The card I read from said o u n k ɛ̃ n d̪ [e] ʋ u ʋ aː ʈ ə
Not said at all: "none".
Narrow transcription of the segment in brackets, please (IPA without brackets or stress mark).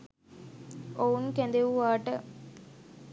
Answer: e